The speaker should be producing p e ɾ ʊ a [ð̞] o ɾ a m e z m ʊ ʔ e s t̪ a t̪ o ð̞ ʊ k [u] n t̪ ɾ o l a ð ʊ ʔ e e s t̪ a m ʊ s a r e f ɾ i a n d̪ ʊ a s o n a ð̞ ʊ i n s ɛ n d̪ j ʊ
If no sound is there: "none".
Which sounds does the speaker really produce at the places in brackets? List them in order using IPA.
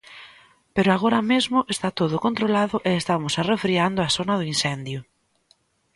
ɣ̞, o

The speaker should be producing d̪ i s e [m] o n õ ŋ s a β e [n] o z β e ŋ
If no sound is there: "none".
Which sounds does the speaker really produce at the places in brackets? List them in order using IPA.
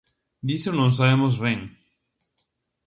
none, m

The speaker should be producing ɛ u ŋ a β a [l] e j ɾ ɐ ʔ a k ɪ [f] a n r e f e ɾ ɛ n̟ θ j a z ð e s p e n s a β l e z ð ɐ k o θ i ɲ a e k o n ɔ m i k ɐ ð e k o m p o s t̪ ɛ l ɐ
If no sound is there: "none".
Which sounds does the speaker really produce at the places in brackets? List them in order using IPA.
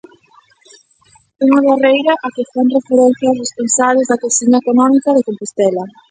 r, f

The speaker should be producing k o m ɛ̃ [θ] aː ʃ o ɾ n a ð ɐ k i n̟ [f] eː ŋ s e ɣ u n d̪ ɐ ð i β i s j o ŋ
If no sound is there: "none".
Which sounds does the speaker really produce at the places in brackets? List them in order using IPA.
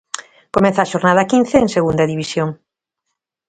θ, θ

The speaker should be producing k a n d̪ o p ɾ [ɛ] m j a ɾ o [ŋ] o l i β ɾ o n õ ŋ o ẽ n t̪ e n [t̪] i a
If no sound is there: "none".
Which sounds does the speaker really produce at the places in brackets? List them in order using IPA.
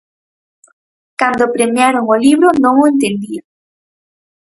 e, ŋ, d̪

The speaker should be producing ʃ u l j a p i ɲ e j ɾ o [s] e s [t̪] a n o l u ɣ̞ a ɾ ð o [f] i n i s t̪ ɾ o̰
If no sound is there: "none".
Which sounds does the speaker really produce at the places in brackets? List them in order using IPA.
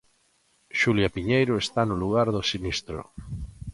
none, t̪, s

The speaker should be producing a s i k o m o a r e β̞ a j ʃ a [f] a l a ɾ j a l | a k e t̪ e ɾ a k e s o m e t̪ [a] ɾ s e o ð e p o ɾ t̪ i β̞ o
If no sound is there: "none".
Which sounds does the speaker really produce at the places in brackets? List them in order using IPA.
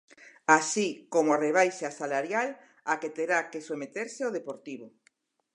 s, e

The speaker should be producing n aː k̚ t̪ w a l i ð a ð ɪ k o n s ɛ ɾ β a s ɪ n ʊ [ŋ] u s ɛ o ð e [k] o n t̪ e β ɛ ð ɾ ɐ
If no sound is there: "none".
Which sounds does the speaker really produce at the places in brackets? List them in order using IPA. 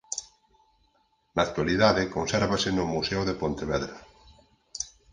m, p

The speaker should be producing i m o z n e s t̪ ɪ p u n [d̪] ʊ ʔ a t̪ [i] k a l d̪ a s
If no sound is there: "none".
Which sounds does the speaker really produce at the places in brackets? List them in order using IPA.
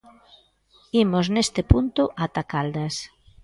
t̪, a

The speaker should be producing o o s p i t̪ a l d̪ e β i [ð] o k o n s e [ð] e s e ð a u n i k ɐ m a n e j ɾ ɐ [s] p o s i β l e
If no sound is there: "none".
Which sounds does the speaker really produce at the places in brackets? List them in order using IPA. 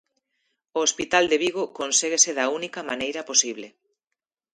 ɣ, ɣ, none

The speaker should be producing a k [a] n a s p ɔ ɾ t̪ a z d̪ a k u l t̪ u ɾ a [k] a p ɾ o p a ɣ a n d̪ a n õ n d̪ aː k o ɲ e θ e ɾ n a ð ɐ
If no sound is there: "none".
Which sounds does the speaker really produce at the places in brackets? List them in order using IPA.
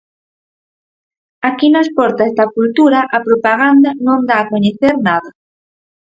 i, ʔ

